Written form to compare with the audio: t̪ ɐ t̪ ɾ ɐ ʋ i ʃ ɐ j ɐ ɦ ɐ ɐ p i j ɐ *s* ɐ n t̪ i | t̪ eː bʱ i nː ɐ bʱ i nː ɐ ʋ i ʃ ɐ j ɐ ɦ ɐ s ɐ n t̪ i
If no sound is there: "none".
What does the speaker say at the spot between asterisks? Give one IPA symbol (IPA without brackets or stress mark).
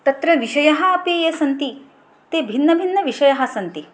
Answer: s